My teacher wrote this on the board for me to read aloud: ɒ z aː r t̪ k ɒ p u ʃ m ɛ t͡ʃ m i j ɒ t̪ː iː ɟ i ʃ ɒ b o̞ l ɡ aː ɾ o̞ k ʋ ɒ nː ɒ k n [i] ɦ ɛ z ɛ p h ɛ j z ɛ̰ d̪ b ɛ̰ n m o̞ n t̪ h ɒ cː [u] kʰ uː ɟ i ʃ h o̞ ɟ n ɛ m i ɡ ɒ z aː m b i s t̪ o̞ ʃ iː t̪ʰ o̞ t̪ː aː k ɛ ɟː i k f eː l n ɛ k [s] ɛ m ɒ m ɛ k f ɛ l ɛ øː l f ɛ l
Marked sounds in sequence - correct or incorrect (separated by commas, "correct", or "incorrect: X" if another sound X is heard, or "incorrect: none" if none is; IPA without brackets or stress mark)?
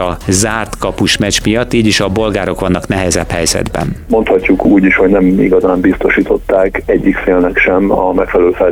incorrect: ɛ, correct, incorrect: ʃ